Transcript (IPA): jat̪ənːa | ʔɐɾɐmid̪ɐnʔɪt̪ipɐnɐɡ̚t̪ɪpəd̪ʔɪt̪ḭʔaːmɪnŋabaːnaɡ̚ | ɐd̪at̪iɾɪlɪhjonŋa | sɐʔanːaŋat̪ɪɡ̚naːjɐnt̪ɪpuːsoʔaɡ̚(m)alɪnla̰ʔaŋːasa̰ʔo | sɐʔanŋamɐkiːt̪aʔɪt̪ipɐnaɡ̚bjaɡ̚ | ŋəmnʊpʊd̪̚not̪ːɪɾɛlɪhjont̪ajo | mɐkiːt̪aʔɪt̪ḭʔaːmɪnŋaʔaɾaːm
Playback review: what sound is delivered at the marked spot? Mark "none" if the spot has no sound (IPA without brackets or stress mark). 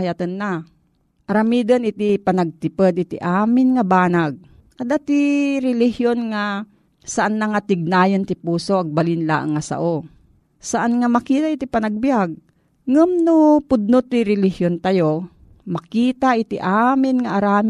b